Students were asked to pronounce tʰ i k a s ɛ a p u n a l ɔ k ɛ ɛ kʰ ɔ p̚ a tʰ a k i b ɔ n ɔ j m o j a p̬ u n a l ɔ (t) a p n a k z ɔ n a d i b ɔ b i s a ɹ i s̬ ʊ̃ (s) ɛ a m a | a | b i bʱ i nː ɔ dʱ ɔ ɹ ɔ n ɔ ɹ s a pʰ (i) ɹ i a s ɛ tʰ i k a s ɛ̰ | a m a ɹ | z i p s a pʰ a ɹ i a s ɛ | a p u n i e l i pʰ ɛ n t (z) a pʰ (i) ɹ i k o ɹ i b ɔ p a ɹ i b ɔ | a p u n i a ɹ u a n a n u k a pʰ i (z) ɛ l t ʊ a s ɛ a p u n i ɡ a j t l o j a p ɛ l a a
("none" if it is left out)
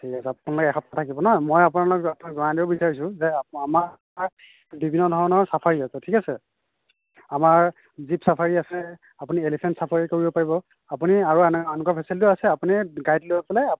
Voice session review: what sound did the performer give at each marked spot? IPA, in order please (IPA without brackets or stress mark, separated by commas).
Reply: k, z, a, s, a, s